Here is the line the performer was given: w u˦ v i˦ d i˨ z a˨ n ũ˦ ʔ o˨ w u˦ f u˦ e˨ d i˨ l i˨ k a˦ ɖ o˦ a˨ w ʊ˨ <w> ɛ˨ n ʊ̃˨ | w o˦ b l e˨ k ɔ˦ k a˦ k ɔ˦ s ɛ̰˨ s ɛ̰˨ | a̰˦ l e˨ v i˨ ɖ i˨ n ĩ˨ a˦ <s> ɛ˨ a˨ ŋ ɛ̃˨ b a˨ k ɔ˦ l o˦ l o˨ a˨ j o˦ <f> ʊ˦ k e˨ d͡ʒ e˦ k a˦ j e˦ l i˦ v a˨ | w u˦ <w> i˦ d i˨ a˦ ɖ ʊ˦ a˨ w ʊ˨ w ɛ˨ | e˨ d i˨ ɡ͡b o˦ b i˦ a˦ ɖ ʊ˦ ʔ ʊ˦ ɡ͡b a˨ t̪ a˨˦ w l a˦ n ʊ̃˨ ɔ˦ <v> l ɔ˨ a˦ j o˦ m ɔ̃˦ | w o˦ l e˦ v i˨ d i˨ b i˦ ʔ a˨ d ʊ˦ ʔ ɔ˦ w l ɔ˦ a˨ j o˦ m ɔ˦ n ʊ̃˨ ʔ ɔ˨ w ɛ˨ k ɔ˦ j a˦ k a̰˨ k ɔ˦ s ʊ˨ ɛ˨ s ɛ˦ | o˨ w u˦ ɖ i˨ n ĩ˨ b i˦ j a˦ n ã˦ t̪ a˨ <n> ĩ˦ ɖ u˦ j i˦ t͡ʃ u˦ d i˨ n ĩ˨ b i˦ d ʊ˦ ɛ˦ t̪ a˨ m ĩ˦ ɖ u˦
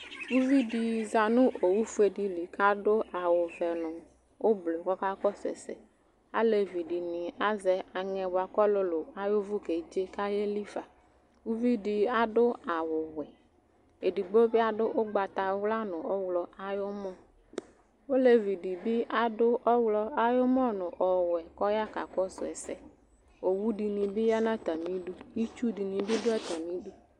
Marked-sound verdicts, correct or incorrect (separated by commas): incorrect, incorrect, incorrect, incorrect, incorrect, incorrect